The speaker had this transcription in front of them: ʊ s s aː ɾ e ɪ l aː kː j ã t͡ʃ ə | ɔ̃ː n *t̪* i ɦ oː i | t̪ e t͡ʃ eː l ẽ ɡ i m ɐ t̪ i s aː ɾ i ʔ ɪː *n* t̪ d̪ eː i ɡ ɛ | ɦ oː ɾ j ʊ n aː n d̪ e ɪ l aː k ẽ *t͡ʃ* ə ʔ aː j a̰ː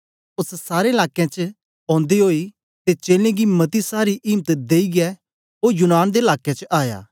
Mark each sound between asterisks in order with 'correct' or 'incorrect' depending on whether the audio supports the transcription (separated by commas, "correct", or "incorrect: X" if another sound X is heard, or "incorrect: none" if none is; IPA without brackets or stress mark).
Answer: incorrect: d̪, incorrect: m, correct